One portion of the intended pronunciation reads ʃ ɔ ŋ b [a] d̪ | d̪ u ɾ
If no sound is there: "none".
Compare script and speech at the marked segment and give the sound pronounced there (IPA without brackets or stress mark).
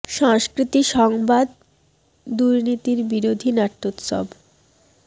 a